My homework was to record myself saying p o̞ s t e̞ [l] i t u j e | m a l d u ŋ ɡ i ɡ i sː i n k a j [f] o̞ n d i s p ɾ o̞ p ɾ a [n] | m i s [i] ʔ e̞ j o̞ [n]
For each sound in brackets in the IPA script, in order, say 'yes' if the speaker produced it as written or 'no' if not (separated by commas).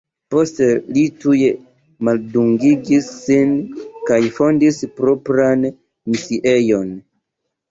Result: yes, yes, yes, yes, yes